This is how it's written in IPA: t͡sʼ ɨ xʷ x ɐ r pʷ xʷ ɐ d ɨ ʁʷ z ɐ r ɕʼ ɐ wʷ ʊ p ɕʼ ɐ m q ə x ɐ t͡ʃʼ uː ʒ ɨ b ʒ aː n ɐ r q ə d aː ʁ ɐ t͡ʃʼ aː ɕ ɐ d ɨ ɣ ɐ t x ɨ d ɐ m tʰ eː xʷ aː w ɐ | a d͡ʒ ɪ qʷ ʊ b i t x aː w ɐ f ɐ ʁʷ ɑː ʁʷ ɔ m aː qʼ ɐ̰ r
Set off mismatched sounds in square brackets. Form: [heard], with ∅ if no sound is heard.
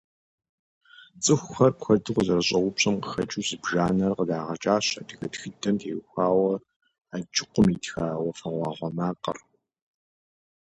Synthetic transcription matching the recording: t͡sʼ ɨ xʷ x ɐ r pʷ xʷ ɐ d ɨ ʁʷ z ɐ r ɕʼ ɐ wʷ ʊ p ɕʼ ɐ m q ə x ɐ t͡ʃʼ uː [z] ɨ b ʒ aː n ɐ r q ə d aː ʁ ɐ t͡ʃʼ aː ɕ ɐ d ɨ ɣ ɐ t x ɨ d ɐ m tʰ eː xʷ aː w ɐ | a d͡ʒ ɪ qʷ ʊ [m] i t x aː w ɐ f ɐ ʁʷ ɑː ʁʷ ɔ m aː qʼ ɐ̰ r